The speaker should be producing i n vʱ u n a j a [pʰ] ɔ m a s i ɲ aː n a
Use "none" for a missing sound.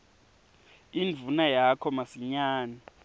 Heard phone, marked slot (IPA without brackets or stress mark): kʰ